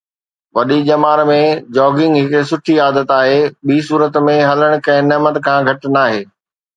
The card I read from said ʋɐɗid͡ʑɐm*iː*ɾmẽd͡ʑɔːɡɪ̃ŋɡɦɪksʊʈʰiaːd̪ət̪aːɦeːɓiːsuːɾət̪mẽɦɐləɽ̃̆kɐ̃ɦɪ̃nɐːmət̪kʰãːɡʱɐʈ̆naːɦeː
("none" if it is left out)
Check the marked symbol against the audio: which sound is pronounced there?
aː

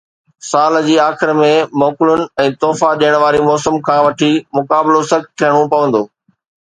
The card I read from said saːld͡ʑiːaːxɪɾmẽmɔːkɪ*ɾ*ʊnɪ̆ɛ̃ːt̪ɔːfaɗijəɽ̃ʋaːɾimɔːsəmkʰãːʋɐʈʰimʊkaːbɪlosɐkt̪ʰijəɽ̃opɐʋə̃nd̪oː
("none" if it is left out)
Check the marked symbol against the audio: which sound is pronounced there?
l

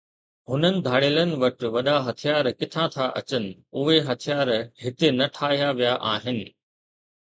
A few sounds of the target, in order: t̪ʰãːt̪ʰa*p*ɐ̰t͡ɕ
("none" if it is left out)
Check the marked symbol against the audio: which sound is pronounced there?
ʔ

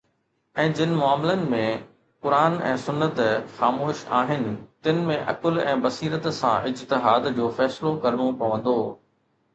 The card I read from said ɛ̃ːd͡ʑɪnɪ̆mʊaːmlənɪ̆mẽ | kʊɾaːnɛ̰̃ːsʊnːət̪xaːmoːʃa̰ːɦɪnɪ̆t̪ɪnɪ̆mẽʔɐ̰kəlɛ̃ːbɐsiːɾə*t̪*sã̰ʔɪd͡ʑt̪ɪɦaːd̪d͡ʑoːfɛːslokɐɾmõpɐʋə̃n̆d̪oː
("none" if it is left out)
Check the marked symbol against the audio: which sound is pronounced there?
t̪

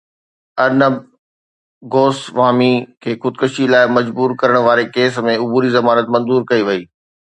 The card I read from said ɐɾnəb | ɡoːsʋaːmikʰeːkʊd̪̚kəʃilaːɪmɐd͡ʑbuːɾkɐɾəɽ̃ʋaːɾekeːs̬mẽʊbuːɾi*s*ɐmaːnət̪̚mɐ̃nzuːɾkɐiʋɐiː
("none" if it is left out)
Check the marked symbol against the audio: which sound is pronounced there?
z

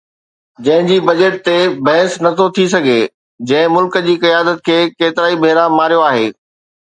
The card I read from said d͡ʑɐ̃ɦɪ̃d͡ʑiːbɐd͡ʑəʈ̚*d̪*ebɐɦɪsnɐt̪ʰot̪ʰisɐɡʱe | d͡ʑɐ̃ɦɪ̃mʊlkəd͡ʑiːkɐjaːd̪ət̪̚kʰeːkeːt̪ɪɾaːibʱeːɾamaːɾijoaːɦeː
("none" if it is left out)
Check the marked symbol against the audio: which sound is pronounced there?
t̪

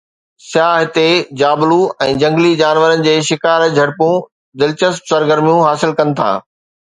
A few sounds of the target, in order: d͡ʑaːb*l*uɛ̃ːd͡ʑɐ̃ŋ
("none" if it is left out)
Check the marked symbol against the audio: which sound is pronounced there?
l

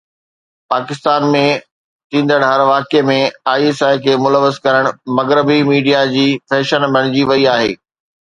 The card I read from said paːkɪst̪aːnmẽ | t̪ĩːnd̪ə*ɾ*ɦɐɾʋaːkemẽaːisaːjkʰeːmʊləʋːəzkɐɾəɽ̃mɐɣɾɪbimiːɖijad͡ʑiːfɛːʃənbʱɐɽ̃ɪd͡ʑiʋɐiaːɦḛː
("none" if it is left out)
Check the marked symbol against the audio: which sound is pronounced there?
ɽ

